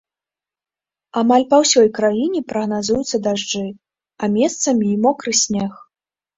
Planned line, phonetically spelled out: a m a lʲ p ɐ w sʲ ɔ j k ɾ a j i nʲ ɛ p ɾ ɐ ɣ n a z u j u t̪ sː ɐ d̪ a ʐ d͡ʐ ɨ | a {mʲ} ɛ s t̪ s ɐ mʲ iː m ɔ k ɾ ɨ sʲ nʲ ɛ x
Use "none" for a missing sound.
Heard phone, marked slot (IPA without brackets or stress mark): mʲ